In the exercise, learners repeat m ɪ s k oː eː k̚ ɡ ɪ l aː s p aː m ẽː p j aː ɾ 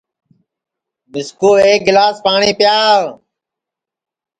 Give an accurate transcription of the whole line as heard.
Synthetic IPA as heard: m ɪ s k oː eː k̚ ɡ ɪ l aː s p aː ɳ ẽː p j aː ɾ